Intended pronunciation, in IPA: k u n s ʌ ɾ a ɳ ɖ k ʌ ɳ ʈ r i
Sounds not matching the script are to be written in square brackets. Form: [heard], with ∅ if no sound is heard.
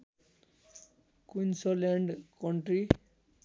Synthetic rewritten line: k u n s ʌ [l] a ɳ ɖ k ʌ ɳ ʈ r i